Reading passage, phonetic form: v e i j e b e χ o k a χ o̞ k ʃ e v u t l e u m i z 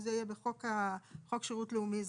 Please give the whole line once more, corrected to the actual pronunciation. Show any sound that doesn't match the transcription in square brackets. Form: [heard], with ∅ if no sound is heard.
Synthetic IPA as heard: [z] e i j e b e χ o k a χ o̞ k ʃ e [ʁ] u t l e u m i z